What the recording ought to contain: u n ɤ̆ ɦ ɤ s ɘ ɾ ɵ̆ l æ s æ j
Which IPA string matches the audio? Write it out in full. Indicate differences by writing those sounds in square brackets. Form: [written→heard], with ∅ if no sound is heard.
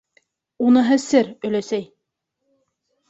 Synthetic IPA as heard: u n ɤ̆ ɦ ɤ s ɘ ɾ ɵ̆ l æ s æ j